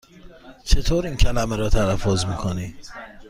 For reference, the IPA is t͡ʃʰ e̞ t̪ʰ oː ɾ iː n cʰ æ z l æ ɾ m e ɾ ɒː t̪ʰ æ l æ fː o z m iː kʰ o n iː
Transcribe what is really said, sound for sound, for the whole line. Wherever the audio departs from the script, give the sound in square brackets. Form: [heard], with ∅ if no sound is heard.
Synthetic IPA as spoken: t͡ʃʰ e̞ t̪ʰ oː ɾ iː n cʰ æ [∅] l æ [∅] m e ɾ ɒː t̪ʰ æ l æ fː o z m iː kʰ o n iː